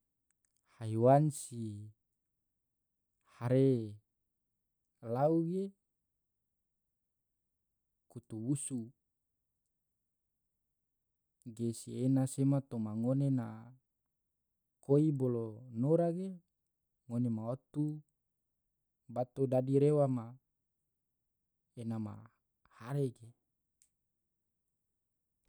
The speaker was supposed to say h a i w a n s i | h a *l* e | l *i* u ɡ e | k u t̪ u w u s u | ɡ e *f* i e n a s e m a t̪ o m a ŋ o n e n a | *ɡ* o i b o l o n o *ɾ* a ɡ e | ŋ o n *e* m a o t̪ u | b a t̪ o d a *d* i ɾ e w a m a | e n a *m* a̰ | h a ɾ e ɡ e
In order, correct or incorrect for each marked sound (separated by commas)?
incorrect, incorrect, incorrect, incorrect, correct, correct, correct, correct